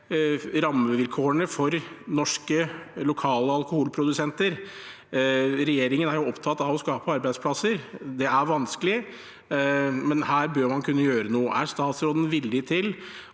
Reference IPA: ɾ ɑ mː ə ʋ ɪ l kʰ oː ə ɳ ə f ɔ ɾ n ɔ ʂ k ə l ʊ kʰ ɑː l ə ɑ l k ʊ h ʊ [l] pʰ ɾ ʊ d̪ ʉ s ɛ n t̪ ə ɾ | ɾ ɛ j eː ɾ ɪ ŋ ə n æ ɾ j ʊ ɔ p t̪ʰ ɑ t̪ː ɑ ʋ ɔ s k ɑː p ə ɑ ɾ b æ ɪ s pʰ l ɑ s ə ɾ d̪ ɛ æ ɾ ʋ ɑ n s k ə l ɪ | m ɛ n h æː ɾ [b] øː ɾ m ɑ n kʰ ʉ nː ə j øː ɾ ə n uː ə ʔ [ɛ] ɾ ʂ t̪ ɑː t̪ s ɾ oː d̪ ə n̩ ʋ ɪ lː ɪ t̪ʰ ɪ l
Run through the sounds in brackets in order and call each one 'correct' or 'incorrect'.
correct, correct, incorrect

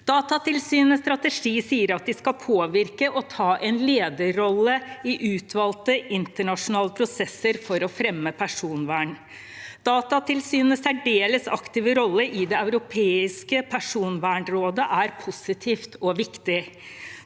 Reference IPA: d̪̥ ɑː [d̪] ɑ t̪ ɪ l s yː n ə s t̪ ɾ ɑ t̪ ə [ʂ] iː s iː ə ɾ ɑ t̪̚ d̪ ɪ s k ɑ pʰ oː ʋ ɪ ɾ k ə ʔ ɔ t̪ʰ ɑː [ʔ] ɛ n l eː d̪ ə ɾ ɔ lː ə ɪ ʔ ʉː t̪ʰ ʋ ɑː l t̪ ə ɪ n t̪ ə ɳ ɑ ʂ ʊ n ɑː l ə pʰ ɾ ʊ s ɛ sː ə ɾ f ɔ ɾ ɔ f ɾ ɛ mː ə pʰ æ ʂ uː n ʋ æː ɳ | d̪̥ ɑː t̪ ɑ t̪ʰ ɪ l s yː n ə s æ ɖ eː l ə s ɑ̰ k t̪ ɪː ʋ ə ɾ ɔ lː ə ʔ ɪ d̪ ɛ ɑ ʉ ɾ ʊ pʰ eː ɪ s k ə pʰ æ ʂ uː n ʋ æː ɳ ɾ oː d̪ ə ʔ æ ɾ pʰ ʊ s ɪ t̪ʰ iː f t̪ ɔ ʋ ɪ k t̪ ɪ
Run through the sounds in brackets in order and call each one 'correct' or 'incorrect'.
incorrect, correct, correct

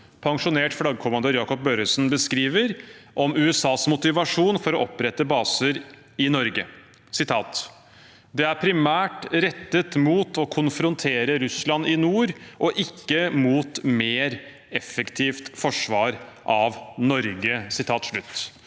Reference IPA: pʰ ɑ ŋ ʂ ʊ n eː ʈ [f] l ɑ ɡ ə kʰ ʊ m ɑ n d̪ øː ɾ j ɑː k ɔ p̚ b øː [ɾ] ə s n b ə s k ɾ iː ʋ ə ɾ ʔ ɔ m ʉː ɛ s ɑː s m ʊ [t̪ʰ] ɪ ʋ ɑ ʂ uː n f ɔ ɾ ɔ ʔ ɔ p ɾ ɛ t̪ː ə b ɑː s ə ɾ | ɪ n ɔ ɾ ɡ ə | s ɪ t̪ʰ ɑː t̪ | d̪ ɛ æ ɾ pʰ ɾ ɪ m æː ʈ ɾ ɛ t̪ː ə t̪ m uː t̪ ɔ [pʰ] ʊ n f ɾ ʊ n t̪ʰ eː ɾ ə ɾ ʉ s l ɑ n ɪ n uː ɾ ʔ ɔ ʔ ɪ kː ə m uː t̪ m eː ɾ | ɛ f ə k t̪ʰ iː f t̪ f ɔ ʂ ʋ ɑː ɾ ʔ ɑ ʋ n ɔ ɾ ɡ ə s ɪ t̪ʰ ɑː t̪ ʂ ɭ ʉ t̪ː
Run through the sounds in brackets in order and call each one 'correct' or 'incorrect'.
correct, correct, incorrect, incorrect

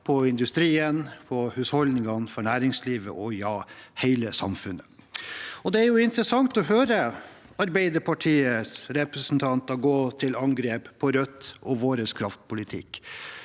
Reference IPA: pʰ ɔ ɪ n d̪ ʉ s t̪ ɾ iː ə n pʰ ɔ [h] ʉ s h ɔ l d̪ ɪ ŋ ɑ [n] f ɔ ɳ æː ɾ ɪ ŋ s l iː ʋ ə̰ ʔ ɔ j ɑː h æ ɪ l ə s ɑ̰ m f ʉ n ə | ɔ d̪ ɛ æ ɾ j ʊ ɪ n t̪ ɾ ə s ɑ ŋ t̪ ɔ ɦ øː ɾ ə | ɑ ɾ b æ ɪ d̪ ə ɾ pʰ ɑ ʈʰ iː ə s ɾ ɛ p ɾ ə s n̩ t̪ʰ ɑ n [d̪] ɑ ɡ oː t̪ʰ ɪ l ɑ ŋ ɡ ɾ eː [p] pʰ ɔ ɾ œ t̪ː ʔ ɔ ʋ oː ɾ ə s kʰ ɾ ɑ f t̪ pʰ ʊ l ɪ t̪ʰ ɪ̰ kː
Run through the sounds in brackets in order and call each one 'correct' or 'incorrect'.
correct, correct, incorrect, correct

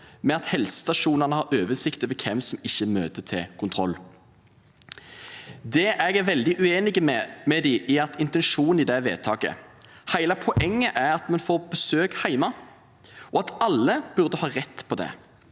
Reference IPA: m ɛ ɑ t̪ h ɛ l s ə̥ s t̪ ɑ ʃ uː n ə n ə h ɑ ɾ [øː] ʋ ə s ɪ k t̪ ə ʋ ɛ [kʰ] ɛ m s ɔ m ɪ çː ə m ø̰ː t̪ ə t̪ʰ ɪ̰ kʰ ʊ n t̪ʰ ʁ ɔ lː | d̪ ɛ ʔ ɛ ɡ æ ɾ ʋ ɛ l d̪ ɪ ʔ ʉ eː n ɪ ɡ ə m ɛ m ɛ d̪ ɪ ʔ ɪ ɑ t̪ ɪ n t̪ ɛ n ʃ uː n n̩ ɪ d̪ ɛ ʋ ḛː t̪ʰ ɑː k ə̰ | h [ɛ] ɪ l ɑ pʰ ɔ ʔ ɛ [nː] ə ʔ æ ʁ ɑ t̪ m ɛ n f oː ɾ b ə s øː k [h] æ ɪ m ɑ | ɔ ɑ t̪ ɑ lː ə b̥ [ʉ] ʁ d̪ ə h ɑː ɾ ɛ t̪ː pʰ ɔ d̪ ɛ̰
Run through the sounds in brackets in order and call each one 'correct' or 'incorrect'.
correct, correct, incorrect, incorrect, correct, correct

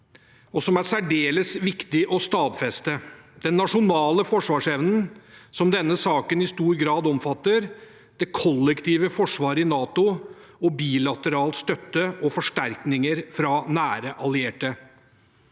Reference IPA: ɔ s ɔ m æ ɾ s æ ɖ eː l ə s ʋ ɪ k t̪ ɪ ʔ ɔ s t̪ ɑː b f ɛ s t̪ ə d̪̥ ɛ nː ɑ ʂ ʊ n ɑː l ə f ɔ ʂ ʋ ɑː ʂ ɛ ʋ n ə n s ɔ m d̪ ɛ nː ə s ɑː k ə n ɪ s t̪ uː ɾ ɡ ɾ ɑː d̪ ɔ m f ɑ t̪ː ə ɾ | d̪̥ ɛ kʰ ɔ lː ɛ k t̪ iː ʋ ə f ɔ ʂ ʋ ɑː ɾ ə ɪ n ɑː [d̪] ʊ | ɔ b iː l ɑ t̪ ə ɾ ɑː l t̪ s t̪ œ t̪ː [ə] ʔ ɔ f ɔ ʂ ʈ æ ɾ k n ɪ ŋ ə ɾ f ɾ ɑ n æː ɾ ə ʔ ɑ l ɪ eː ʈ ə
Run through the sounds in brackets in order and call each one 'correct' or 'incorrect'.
incorrect, correct

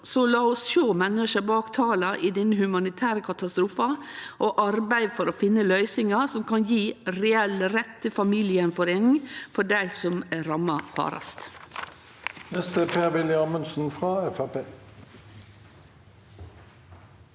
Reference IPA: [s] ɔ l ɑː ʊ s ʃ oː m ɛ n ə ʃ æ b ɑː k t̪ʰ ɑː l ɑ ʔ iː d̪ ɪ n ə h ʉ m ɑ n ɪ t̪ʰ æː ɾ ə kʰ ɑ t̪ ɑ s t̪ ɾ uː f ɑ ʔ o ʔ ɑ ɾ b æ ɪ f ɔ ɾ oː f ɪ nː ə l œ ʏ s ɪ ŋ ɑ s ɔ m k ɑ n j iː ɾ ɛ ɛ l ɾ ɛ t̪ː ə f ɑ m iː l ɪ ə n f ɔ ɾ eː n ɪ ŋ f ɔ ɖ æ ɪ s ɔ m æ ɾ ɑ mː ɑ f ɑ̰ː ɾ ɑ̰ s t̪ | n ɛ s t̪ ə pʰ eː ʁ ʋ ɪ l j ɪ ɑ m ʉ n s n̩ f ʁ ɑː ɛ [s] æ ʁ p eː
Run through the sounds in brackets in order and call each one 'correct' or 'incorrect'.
correct, incorrect

